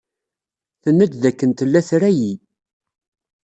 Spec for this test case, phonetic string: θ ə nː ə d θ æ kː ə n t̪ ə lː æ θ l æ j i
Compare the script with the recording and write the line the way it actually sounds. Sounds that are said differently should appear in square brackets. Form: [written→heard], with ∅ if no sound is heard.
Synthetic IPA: θ ə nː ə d [θ→ð] æ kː ə n t̪ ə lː æ θ [l→ɾ] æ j i